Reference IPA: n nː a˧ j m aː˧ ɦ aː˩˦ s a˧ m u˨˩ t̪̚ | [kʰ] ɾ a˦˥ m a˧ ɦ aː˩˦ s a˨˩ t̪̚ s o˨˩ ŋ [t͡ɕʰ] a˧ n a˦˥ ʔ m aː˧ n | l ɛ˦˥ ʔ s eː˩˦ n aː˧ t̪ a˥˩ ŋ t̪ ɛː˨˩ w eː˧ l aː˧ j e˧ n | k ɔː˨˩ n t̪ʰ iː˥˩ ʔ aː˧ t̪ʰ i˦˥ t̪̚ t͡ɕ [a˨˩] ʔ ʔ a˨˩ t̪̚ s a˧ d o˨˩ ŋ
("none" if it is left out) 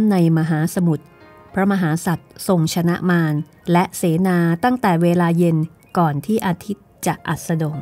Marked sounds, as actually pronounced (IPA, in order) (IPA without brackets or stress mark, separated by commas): pʰ, t͡ɕʰ, a˨˩